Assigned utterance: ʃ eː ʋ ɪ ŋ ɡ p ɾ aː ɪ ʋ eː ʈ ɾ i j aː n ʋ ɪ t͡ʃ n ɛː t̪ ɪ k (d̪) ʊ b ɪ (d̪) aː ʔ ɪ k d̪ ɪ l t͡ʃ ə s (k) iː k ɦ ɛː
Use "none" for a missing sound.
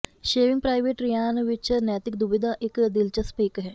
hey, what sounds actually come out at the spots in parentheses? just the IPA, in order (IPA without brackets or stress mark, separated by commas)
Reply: d̪, d̪, p